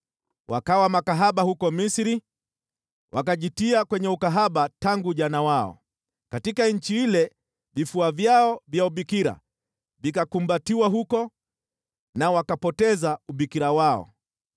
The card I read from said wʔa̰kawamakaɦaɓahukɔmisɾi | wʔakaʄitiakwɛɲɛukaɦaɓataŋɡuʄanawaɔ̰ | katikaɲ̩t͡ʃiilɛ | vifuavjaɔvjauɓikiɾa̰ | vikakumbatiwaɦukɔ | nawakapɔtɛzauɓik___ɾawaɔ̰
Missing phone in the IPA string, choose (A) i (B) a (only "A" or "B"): A